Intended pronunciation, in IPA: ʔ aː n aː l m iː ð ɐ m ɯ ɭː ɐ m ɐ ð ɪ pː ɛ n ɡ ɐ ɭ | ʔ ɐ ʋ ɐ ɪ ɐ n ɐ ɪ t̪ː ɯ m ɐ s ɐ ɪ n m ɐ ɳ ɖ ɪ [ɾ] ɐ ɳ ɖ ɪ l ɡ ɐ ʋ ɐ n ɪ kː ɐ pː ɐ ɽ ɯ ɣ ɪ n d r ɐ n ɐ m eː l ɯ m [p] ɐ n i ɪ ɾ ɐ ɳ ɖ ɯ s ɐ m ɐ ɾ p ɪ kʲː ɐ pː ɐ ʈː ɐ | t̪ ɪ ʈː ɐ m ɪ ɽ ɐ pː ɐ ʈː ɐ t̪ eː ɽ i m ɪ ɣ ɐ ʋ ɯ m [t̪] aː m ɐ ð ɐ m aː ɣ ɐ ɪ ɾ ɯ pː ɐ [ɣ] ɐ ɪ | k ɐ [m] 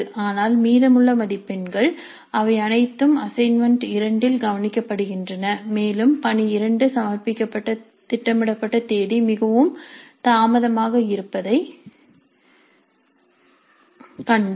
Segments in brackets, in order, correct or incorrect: correct, correct, correct, incorrect: ð, incorrect: ɳ

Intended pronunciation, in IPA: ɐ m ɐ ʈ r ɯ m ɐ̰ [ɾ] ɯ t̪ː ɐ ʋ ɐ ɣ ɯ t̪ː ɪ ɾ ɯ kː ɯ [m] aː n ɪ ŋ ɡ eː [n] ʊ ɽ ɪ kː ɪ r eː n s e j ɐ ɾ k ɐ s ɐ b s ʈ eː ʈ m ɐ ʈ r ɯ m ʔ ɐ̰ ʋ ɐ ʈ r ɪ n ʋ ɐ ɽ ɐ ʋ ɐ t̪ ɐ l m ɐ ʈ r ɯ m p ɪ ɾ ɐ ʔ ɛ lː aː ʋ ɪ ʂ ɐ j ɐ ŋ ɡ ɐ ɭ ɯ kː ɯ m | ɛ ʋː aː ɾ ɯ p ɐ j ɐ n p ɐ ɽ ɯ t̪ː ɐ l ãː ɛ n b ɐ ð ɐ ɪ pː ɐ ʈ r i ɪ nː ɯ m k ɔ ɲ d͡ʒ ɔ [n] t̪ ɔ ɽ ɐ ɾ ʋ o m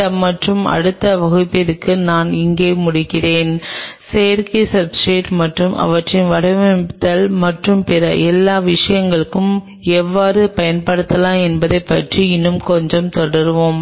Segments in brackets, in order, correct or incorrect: incorrect: ɽ, incorrect: n, incorrect: m, incorrect: m

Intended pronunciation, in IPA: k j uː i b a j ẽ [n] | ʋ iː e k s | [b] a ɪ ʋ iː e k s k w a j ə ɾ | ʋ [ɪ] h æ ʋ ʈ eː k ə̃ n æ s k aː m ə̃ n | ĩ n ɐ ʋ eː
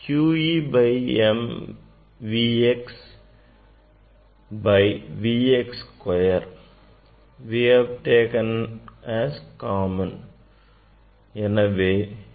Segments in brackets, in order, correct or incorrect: incorrect: m, correct, incorrect: i

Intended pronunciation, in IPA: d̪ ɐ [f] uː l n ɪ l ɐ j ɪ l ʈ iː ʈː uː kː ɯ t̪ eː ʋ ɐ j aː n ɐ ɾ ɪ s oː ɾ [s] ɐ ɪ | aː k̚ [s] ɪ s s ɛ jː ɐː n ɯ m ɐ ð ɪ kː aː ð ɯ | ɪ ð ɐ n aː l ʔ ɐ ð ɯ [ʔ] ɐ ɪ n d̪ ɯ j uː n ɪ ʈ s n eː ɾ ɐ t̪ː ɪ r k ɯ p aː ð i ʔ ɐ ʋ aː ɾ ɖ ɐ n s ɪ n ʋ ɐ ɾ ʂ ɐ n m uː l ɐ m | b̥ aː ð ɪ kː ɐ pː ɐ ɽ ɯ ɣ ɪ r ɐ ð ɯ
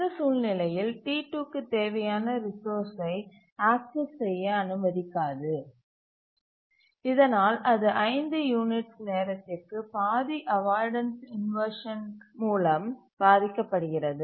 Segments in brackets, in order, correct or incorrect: incorrect: s, correct, correct, correct

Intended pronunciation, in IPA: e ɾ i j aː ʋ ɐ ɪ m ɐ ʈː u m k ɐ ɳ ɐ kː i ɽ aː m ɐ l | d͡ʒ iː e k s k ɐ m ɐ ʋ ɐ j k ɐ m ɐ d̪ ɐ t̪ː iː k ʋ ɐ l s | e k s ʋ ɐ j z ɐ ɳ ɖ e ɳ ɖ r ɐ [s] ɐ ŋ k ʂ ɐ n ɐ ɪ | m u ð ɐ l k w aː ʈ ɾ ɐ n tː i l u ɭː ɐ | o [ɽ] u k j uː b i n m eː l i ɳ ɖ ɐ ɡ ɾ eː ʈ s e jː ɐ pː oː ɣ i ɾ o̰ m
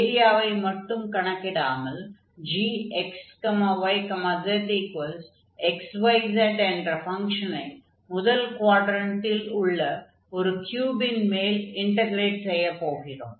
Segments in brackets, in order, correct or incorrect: incorrect: f, incorrect: ɾ

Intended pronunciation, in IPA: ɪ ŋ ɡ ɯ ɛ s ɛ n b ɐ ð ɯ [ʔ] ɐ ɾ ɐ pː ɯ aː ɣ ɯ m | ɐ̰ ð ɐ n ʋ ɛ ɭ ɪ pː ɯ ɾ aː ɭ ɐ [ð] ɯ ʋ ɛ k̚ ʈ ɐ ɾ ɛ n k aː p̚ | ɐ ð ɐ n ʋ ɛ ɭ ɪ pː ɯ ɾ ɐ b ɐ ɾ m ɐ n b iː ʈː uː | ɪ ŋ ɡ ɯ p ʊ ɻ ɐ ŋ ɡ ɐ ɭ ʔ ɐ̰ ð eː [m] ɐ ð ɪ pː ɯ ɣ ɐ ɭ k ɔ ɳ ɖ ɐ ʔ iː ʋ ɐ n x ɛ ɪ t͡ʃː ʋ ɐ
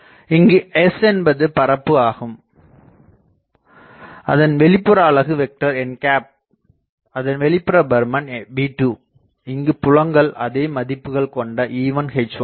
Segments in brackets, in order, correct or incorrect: incorrect: p, incorrect: ɣ, correct

